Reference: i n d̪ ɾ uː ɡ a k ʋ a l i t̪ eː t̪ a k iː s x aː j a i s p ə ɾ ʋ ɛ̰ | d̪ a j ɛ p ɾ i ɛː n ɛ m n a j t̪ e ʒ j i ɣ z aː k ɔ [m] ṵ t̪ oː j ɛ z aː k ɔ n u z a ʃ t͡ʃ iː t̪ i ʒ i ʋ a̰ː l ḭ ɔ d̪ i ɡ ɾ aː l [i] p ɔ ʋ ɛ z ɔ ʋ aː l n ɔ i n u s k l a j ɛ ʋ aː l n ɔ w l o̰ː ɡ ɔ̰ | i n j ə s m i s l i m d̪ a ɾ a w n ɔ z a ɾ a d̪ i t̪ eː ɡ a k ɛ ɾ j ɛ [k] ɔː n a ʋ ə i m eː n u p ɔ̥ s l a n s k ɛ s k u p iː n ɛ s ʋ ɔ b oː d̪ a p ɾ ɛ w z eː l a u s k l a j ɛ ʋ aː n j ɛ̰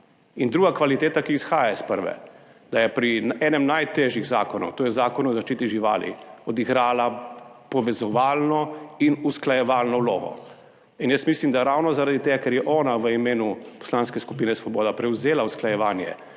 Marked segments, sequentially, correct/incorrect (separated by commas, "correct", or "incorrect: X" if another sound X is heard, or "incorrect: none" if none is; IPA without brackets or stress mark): incorrect: n, incorrect: a, incorrect: ʔ